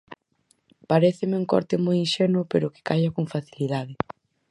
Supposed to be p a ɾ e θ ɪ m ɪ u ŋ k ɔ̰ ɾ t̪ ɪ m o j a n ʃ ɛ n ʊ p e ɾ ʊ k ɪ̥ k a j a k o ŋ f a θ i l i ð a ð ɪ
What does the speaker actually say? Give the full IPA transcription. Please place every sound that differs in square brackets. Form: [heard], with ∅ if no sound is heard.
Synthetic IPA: p a ɾ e θ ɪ m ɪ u ŋ k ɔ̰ ɾ t̪ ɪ m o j [i] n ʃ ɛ n ʊ p e ɾ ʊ k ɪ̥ k a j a k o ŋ f a θ i l i ð a ð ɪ